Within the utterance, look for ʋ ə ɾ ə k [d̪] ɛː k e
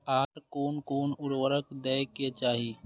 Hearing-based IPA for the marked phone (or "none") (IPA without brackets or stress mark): d̪